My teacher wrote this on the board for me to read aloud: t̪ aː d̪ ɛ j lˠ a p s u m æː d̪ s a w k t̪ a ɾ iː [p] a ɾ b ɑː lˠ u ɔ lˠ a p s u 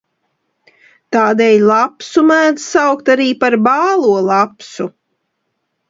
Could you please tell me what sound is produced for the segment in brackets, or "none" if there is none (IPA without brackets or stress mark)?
p